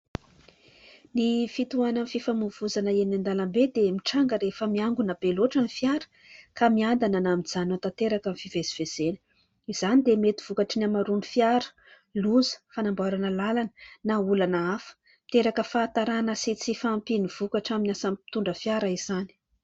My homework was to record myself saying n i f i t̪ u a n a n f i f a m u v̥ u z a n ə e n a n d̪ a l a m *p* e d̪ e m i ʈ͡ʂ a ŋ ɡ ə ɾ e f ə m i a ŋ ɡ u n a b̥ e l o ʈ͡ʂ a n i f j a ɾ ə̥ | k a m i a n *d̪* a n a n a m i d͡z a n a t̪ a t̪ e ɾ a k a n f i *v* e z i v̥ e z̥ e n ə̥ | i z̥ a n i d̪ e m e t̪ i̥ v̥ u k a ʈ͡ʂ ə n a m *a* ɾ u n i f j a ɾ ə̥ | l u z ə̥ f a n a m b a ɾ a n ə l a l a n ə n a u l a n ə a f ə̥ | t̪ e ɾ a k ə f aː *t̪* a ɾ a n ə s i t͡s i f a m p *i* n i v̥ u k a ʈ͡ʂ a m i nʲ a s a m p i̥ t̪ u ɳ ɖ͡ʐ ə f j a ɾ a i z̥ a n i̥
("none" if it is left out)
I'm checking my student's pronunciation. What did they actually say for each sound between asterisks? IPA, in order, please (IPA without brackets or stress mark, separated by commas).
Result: b, d̪, v, a, t̪, i